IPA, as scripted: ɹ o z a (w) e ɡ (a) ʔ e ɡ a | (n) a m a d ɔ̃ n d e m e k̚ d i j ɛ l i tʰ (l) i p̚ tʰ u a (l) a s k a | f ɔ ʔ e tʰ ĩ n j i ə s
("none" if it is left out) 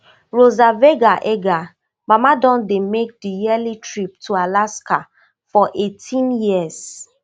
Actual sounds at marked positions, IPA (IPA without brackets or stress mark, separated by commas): v, a, m, ɹ, l